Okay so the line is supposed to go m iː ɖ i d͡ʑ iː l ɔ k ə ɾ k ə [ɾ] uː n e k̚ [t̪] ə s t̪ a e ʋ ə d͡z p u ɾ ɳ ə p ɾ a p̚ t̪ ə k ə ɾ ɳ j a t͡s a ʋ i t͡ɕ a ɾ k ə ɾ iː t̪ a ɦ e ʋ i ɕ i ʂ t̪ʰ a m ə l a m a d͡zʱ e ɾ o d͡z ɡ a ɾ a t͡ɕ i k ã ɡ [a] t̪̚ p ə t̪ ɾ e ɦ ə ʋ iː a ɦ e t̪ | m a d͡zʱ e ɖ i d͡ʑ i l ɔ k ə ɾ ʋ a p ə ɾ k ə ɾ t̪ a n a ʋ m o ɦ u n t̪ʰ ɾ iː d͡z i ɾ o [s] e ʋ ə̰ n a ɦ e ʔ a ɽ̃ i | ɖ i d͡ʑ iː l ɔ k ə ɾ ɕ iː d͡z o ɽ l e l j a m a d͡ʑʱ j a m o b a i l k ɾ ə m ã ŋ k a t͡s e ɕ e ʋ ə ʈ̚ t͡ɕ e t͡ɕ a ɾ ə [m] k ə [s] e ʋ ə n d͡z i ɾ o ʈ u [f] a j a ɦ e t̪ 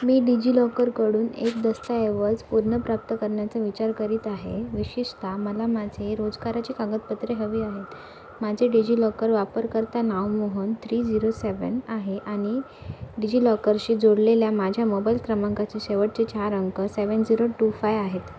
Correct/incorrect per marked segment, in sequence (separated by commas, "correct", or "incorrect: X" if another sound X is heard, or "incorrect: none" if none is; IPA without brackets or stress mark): incorrect: ɽ, incorrect: d̪, incorrect: ə, correct, incorrect: ŋ, correct, correct